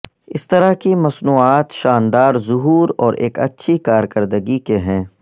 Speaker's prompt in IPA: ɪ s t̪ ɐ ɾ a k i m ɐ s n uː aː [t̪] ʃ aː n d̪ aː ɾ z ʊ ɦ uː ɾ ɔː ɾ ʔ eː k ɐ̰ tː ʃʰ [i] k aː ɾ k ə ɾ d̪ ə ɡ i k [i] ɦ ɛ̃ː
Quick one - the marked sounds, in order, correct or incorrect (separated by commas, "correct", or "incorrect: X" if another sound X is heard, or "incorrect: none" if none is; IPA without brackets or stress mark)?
correct, correct, incorrect: e